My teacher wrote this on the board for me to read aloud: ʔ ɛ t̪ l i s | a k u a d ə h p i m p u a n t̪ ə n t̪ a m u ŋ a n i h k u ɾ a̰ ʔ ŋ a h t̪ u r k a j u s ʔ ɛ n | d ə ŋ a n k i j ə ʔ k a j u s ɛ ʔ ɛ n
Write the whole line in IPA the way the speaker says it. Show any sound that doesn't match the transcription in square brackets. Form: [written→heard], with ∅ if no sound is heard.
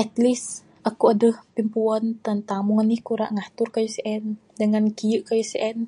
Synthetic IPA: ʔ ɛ t̪ l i s | a k u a d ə h p i m p u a n t̪ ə n t̪ a m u ŋ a n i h k u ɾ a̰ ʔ ŋ a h t̪ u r k a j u s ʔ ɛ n | d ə ŋ a n k i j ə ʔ k a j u s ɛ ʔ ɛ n